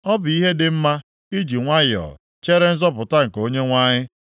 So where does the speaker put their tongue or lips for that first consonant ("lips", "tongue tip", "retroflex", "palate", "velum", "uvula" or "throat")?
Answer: lips